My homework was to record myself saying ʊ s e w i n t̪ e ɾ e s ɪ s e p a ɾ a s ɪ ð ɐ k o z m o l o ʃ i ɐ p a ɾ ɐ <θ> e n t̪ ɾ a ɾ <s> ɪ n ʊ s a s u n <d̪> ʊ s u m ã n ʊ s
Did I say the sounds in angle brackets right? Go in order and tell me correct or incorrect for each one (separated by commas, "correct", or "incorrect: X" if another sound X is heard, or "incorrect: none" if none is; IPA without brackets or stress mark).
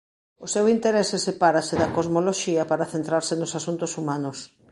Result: correct, correct, incorrect: t̪